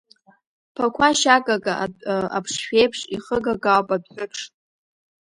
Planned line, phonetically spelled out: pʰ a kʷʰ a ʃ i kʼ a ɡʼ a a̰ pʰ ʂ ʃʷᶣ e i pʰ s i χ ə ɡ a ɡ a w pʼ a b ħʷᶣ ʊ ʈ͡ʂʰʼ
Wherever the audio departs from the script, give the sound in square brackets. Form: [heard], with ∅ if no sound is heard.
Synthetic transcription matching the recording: pʰ a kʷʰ a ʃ [a] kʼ a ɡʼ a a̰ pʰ ʂ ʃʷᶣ e [j] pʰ [ʂ] i χ ə ɡ a ɡ a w pʼ a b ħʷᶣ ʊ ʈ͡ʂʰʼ